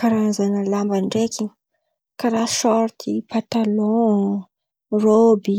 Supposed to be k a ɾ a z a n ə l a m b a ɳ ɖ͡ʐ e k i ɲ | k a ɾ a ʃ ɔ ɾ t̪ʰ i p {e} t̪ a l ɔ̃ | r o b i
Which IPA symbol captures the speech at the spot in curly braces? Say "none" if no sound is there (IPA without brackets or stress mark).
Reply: a